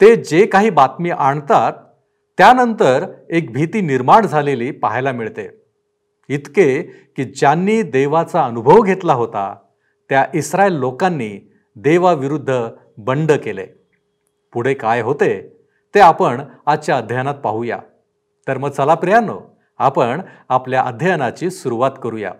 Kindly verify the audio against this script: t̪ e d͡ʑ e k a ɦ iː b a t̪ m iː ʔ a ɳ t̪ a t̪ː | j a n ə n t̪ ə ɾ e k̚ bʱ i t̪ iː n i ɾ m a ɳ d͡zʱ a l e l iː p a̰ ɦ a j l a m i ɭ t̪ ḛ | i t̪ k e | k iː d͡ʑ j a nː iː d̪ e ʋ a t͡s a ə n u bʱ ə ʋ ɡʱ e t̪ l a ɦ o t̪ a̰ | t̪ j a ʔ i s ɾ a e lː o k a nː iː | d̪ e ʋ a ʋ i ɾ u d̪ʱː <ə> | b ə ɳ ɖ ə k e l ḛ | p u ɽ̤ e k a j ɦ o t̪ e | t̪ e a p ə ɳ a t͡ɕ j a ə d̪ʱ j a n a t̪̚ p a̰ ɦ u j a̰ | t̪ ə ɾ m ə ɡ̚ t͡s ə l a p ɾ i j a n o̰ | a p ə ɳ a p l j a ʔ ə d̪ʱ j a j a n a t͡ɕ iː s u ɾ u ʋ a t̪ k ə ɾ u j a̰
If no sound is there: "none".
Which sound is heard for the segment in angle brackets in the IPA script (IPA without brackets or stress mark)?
ə